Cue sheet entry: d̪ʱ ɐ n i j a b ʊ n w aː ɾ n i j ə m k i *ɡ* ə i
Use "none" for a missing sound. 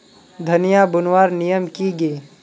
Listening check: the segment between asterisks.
ɡ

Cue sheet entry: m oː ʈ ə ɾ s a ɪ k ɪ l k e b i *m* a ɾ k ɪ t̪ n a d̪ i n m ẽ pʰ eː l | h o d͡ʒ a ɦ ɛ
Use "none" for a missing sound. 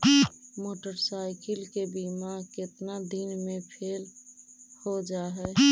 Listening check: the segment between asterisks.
m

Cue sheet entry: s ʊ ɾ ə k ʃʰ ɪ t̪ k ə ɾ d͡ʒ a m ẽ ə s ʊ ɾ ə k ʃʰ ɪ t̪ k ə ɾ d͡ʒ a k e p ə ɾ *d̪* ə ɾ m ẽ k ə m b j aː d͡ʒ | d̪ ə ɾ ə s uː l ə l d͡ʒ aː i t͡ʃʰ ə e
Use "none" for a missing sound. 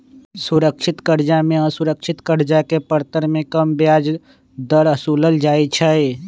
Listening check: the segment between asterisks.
t̪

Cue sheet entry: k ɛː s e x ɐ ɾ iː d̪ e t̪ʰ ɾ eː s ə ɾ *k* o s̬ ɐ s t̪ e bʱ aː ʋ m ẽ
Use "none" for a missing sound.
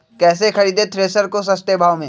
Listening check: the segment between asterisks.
k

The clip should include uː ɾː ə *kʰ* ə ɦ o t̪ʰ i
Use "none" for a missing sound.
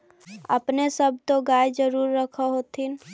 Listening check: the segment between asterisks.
kʰ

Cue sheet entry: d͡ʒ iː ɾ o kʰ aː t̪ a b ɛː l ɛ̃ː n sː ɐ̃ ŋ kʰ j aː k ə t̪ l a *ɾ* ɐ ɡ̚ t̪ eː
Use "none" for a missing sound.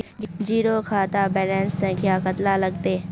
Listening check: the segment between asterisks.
l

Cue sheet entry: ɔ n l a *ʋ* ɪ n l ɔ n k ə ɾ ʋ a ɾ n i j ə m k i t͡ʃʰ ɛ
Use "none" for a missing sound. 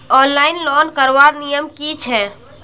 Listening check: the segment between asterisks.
none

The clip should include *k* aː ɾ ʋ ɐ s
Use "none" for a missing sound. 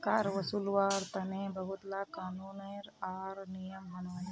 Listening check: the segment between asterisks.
k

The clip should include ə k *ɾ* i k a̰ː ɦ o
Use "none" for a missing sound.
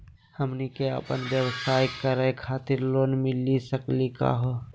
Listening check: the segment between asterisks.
l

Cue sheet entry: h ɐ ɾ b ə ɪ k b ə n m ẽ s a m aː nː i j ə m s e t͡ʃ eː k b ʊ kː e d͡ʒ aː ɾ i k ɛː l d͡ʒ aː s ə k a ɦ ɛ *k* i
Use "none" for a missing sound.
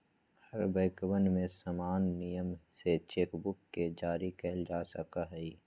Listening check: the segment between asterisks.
none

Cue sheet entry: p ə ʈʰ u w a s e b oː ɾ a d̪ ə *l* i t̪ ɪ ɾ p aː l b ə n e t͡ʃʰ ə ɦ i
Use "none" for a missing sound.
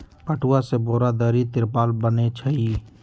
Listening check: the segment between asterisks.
ɾ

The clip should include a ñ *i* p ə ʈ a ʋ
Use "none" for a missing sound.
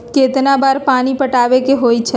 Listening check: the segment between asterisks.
i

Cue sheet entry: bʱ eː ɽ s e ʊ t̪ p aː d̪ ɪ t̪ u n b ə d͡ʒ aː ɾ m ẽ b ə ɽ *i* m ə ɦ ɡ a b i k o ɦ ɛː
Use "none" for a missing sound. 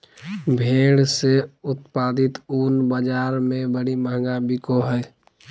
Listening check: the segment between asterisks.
i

